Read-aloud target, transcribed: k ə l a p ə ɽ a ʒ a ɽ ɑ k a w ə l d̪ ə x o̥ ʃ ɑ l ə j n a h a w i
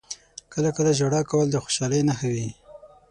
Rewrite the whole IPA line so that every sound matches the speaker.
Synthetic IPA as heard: k ə l a k ə l a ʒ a ɽ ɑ k a w ə l d̪ ə x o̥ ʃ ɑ l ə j n a x a w i